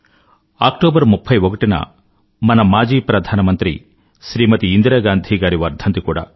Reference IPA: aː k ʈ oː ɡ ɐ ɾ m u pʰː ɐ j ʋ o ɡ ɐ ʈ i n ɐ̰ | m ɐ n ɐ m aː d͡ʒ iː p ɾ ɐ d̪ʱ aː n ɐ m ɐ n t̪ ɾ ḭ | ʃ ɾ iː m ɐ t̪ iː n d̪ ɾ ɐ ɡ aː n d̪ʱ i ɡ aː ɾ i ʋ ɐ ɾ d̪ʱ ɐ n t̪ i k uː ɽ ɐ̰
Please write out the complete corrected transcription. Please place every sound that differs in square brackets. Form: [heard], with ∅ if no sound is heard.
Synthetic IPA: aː k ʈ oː [b] ɐ ɾ m u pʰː ɐ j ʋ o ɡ ɐ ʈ i n ɐ̰ | m ɐ n ɐ m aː d͡ʒ iː p ɾ ɐ d̪ʱ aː n ɐ m ɐ n t̪ ɾ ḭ | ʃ ɾ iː m ɐ t̪ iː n d̪ ɾ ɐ ɡ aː n d̪ʱ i ɡ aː ɾ i ʋ ɐ ɾ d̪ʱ ɐ n t̪ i k uː ɽ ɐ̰